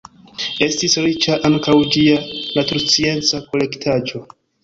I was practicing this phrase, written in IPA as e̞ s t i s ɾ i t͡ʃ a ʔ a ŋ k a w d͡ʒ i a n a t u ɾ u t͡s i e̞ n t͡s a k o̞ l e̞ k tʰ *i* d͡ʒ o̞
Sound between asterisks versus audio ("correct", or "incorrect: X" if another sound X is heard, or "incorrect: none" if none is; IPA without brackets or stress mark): incorrect: a